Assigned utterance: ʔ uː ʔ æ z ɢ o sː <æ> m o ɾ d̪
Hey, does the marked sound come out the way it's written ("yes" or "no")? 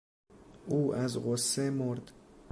no